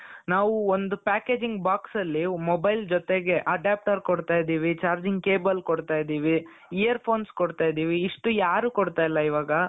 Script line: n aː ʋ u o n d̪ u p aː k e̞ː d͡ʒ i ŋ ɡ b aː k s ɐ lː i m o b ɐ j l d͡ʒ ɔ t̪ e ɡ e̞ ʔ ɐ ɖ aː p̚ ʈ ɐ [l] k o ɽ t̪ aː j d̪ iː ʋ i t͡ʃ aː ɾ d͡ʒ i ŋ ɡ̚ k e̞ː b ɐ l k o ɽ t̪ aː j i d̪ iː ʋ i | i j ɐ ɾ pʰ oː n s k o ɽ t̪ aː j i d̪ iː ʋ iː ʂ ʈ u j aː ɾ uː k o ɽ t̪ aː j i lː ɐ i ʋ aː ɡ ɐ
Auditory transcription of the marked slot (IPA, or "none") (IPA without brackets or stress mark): ɾ